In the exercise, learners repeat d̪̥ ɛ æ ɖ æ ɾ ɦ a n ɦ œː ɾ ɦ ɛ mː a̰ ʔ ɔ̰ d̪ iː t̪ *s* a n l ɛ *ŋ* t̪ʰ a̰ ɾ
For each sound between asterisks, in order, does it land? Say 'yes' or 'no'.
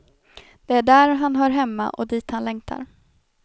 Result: no, yes

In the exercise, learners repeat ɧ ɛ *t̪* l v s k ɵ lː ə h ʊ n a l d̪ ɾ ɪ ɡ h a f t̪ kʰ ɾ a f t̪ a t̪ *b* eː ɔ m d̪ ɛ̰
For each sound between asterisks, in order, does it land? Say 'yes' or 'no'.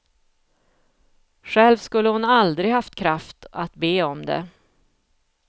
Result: no, yes

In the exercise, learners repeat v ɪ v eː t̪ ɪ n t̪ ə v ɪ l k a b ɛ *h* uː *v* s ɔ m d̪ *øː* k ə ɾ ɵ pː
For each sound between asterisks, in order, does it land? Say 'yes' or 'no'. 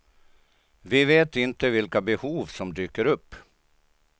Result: yes, yes, no

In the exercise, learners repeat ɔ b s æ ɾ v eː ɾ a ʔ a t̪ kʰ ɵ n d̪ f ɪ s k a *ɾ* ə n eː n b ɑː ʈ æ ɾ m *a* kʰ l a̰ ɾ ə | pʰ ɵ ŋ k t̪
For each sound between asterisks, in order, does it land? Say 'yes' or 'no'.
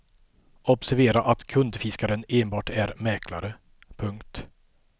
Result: yes, no

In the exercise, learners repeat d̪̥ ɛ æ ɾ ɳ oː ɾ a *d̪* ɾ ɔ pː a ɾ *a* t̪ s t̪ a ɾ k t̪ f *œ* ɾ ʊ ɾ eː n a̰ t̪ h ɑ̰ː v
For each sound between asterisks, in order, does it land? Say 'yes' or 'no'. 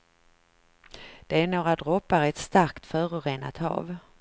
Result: yes, no, no

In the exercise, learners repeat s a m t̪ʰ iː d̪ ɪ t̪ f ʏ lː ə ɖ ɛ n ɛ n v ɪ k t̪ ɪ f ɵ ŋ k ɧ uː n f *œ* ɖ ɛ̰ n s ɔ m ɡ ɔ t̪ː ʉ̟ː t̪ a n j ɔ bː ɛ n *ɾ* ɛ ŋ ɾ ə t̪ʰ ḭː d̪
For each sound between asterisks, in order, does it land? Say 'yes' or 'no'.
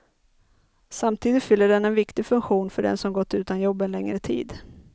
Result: yes, no

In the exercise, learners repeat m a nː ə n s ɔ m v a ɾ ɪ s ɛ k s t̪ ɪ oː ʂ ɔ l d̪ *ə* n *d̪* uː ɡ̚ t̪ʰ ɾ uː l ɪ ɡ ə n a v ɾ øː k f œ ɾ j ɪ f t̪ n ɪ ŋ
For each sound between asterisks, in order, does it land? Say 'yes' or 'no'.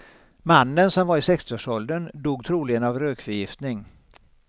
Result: yes, yes

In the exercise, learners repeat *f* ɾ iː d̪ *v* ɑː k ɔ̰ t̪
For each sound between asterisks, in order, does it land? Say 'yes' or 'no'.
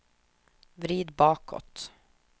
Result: no, no

